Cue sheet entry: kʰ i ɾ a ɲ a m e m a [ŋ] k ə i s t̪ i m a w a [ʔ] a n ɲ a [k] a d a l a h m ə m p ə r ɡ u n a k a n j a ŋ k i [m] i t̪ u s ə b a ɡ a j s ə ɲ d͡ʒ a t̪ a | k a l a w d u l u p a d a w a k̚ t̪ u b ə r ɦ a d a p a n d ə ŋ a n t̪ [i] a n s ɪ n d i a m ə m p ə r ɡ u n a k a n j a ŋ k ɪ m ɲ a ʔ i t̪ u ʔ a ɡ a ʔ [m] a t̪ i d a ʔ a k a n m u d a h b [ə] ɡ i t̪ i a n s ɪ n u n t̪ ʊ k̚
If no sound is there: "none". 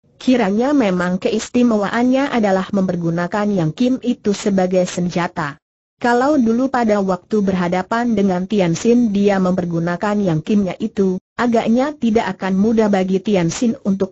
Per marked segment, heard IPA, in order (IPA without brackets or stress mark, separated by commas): ŋ, ʔ, ʔ, m, i, ɲ, a